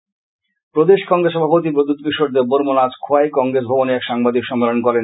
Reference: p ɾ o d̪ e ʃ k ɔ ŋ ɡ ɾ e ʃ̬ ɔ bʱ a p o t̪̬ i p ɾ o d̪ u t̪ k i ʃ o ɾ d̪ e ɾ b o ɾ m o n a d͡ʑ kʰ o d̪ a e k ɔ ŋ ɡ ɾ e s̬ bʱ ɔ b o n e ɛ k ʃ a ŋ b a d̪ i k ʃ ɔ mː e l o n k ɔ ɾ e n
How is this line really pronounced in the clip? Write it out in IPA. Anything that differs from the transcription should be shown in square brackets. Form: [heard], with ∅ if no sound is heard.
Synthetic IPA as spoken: p ɾ o d̪ e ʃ k ɔ ŋ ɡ ɾ e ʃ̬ ɔ bʱ a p o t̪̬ i p ɾ o d̪ u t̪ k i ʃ o ɾ d̪ e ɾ b o ɾ m o n a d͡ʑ kʰ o [∅] a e k ɔ ŋ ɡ ɾ e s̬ bʱ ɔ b o n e ɛ k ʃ a ŋ b a d̪ i k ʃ ɔ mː e l o n k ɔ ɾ e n

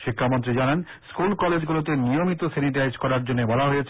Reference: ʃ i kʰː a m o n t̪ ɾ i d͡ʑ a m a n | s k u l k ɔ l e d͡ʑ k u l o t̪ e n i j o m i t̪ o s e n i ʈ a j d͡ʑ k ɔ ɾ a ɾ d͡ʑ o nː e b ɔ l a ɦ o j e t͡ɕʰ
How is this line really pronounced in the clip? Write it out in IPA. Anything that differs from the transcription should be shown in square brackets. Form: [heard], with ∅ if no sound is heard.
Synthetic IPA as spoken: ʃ i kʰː a m o n t̪ ɾ i d͡ʑ a [n] a n | s k u l k ɔ l e d͡ʑ [ɡ] u l o t̪ e n i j o m i t̪ o s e n i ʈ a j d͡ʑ k ɔ ɾ a ɾ d͡ʑ o nː e b ɔ l a ɦ o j e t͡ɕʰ

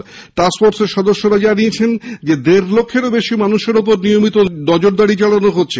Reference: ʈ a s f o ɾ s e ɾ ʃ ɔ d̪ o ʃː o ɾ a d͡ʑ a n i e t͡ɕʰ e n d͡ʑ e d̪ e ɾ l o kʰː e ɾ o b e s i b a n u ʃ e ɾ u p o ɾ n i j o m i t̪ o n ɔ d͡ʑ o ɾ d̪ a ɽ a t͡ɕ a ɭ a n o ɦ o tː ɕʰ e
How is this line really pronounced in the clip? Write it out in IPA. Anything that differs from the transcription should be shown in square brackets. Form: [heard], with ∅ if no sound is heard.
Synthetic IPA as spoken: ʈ a s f o ɾ s e ɾ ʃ ɔ d̪ o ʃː o ɾ a d͡ʑ a n i e t͡ɕʰ e n d͡ʑ e d̪ e ɾ l o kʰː e ɾ o b e [ʃ] i [m] a n u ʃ e ɾ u p o ɾ n i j o m i t̪ o n ɔ d͡ʑ o ɾ d̪ a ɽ [i] t͡ɕ a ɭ a n o ɦ o tː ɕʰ e

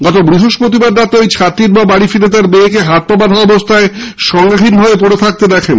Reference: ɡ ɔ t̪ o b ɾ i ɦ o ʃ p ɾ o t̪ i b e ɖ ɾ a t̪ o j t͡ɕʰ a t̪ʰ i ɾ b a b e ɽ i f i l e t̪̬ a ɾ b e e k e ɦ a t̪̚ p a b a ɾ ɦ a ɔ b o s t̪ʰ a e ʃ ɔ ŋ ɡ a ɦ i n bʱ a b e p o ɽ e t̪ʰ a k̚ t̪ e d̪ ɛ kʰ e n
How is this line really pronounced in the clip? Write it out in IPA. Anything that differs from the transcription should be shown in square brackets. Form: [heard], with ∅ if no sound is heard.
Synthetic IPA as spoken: ɡ ɔ t̪ o b ɾ i ɦ o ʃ p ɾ o t̪ i b [a] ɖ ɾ a t̪ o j t͡ɕʰ a [t̪] i ɾ b a b [a] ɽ i f i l e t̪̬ a ɾ b e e k e ɦ a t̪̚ p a b a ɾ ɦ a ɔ b o s t̪ʰ a e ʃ ɔ ŋ ɡ a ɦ i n bʱ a b e p o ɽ e t̪ʰ a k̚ t̪ e d̪ ɛ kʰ e n

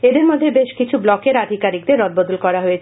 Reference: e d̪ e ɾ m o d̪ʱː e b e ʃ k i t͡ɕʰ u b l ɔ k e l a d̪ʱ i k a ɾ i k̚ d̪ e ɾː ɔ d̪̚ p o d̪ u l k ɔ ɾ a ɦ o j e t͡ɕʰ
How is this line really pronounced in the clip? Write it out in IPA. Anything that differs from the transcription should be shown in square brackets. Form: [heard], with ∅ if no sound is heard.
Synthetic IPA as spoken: e d̪ e ɾ m o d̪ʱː e b e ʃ k i t͡ɕʰ u b l ɔ k e [ɾ] a d̪ʱ i k a ɾ i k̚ d̪ e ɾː ɔ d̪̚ [b] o d̪ u l k ɔ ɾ a ɦ o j e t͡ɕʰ

